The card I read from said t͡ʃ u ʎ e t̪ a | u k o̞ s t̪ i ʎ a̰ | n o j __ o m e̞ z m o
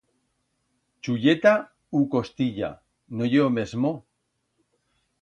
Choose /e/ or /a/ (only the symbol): e